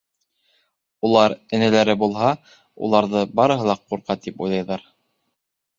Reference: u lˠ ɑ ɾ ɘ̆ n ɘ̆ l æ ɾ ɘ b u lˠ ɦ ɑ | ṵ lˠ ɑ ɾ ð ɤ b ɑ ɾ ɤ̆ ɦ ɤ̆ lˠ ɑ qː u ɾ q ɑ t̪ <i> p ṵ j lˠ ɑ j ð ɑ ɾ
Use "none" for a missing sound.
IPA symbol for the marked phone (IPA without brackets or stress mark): i